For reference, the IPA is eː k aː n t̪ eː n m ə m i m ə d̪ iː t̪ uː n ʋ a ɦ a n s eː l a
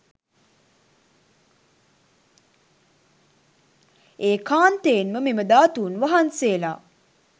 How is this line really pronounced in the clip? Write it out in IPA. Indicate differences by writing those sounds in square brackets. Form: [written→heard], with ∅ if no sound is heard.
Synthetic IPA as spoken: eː k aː n t̪ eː n m ə m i m ə d̪ [iː→aː] t̪ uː n ʋ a ɦ a n s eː l a